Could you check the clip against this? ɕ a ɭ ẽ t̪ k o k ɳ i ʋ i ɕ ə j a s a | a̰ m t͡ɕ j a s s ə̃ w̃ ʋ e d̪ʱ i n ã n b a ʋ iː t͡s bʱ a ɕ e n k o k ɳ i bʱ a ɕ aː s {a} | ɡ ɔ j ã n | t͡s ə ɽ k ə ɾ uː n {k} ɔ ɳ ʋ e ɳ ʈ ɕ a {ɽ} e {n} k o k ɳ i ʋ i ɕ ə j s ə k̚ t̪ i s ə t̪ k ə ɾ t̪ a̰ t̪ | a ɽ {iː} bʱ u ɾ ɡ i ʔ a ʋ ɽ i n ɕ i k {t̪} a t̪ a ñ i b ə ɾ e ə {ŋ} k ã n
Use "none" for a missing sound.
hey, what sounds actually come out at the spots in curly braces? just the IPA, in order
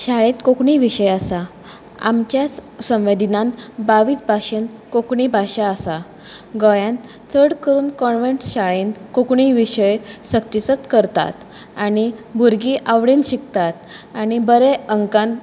a, k, ɭ, n, i, t̪, ŋ

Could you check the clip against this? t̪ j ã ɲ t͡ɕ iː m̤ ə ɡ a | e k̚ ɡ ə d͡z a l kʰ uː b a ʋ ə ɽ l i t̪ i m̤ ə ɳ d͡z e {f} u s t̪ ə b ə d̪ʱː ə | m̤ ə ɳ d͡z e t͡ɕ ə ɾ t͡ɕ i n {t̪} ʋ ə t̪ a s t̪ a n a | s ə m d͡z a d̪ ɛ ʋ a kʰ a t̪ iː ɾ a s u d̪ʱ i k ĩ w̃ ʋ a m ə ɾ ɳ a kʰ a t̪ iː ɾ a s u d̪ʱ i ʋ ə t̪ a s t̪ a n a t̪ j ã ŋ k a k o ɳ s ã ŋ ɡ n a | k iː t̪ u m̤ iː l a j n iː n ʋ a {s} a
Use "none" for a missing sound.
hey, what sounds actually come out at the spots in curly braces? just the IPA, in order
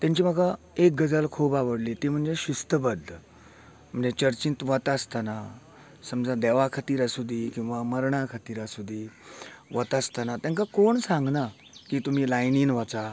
ɕ, t̪, t͡s

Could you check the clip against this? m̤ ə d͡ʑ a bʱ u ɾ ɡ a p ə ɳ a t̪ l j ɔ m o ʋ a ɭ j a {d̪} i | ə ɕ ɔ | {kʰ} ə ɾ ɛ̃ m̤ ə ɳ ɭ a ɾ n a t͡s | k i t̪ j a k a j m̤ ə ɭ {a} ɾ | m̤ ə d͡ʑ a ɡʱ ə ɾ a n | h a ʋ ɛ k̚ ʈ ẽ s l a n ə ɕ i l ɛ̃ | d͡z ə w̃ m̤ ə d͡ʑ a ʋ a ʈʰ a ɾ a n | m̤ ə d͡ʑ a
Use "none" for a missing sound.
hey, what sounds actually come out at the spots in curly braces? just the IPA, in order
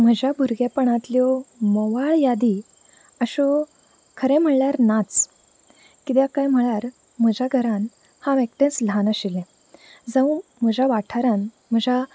d̪, kʰ, a

